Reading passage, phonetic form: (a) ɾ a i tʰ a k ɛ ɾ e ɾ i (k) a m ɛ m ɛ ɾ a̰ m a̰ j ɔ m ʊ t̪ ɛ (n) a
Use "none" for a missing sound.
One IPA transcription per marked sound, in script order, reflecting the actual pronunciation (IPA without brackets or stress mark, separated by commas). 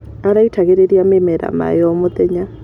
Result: a, none, ɲ